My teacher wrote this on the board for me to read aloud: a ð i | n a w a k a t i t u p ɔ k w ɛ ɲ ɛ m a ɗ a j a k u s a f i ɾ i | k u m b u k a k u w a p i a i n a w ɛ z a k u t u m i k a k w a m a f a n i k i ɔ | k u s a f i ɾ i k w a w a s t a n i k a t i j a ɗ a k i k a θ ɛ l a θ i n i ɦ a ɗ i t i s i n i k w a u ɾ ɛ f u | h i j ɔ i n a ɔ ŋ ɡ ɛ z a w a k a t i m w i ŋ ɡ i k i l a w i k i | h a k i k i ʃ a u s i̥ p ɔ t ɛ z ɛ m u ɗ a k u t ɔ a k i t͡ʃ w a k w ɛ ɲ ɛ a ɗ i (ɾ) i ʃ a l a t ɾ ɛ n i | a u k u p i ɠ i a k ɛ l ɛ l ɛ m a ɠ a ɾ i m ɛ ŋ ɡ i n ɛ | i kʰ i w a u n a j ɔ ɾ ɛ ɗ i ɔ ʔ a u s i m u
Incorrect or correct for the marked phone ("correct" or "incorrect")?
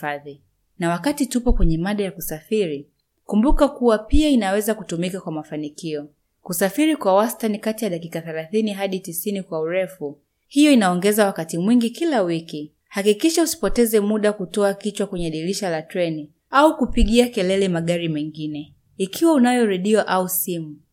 incorrect